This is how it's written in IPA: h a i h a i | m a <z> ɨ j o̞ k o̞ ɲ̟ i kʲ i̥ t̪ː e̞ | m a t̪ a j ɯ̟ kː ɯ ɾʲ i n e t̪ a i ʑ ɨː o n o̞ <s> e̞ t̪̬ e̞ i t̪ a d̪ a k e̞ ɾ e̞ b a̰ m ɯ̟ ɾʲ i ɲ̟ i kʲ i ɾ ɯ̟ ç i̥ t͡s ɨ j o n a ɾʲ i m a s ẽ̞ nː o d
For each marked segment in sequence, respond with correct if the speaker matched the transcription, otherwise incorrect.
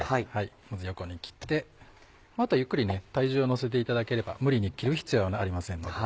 correct, correct

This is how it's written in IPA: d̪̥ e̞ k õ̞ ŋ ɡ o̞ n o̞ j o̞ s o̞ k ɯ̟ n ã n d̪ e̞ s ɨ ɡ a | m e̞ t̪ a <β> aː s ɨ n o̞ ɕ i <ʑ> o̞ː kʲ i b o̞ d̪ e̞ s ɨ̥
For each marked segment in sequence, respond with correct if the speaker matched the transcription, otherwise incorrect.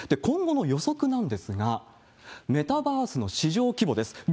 incorrect: b, correct

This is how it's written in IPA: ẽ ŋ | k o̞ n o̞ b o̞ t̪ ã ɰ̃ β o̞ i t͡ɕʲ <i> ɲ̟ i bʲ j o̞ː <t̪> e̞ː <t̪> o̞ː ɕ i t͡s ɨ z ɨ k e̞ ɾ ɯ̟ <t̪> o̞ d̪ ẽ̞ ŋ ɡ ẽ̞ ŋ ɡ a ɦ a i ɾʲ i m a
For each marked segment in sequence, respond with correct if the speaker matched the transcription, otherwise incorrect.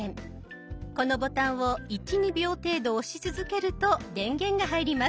correct, correct, incorrect: d̪, correct

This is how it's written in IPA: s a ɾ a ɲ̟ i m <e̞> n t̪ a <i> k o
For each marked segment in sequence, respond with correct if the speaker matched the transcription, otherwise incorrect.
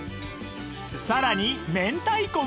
incorrect: ẽ̞, correct

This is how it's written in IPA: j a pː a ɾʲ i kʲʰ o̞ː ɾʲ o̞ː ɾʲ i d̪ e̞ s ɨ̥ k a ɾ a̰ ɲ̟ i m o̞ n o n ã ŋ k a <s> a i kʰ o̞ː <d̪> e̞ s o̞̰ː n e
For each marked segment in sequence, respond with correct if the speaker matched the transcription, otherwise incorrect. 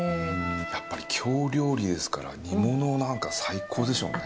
correct, correct

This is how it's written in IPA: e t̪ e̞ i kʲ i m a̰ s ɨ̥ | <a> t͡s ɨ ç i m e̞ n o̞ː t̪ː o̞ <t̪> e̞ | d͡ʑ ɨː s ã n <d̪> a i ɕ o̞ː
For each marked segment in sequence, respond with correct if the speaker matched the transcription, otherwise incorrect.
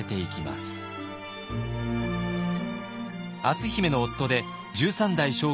correct, incorrect: d̪, correct

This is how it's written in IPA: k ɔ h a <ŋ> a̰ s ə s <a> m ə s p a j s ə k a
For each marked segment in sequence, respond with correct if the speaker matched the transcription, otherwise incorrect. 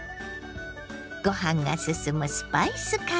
correct, incorrect: ə

